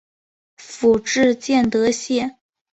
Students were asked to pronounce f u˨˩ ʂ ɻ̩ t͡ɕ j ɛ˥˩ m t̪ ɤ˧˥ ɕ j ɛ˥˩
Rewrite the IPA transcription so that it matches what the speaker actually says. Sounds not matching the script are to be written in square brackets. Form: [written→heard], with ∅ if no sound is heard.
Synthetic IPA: f u˨˩ [ʂ→ʈ͡ʂ] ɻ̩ t͡ɕ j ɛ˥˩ [m→n] t̪ ɤ˧˥ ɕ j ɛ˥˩